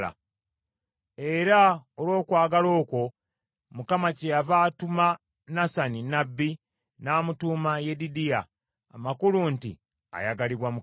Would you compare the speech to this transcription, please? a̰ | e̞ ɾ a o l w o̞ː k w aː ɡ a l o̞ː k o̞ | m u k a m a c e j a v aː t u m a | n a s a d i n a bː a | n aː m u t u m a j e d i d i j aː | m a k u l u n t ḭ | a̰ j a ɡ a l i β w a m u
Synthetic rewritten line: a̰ | e̞ ɾ a o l w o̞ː k w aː ɡ a l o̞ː k o̞ | m u k a m a c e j a v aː t u m a | n a s a n i n a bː i | n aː m u t u m a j e d i d i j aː | m a k u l u n t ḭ | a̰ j a ɡ a l i β w a m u